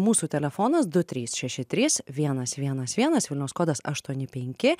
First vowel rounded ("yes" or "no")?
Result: yes